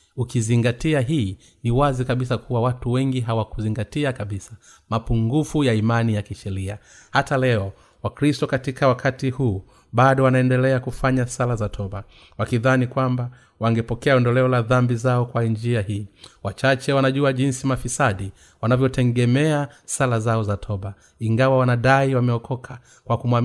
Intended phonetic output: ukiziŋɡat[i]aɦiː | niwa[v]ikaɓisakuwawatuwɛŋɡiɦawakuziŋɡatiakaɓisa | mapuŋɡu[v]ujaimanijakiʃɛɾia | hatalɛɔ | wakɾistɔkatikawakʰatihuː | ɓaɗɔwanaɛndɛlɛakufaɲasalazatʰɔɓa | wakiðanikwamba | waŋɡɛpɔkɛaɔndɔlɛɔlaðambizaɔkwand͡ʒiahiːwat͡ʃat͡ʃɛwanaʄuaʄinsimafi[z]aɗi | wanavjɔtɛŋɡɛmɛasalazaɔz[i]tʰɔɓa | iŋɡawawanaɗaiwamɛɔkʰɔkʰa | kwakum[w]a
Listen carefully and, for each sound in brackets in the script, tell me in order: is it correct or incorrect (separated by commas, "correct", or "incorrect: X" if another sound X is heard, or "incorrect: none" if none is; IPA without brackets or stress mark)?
correct, incorrect: z, incorrect: f, incorrect: s, incorrect: a, correct